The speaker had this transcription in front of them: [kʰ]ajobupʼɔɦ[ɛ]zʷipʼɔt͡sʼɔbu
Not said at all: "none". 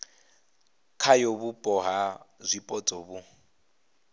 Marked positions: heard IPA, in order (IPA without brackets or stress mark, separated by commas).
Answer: kʰ, a